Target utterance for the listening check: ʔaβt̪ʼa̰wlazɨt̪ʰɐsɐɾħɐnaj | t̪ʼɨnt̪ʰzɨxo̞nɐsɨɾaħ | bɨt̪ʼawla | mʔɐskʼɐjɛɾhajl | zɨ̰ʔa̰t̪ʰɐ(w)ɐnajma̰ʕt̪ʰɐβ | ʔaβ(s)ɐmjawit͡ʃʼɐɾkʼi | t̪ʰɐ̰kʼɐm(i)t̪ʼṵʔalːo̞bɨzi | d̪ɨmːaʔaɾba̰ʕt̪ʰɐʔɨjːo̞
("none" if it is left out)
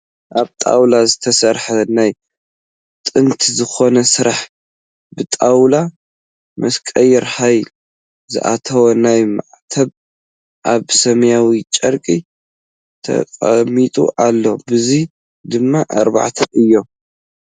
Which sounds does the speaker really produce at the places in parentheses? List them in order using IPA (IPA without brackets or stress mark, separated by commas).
w, s, i